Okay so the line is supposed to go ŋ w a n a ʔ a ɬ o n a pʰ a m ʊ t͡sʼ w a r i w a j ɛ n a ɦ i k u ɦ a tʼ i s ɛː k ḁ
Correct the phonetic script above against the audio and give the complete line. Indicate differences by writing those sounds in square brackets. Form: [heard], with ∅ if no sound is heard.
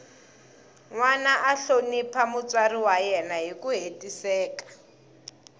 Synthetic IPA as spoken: ŋ w a n a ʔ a ɬ o n [i] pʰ a m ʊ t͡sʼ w a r i w a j ɛ n a ɦ i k u ɦ [e] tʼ i s ɛː k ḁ